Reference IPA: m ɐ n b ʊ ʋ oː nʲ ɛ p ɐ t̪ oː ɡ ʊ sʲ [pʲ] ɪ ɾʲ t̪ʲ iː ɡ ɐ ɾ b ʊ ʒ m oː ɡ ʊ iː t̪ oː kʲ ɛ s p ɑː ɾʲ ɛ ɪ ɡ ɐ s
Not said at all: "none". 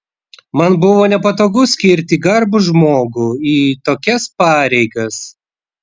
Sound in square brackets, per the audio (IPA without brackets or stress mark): kʲ